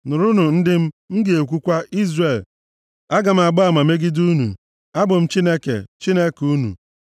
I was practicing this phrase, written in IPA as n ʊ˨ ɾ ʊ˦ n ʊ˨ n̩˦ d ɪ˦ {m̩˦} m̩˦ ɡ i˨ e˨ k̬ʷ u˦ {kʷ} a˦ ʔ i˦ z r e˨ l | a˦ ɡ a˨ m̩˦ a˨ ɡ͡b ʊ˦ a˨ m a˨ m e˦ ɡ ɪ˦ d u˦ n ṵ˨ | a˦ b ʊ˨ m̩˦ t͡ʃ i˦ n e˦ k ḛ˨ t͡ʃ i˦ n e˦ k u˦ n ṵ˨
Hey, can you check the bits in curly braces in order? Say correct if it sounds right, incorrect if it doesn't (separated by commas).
correct, correct